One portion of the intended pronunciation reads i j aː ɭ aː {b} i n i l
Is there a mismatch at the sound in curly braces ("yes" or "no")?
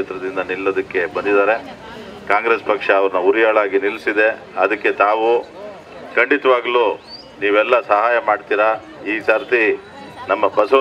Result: yes